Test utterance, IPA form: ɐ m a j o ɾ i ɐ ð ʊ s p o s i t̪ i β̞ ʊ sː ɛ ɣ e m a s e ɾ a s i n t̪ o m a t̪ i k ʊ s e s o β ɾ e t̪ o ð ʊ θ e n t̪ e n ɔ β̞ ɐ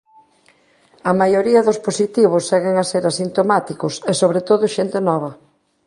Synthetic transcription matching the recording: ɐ m a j o ɾ i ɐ ð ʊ s p o s i t̪ i β̞ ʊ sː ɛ ɣ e ŋ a s e ɾ a s i n t̪ o m a t̪ i k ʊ s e s o β ɾ e t̪ o ð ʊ ʃ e n t̪ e n ɔ β̞ ɐ